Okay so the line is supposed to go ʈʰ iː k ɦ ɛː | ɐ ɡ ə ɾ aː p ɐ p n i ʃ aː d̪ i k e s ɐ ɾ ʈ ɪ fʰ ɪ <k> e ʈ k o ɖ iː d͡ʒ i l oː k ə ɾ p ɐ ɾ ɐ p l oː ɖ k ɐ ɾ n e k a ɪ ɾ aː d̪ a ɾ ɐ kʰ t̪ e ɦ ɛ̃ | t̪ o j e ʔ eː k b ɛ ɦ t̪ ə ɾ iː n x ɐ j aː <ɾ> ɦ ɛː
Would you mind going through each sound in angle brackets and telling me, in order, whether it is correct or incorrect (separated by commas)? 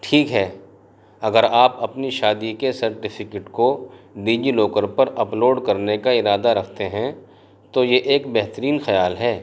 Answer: correct, incorrect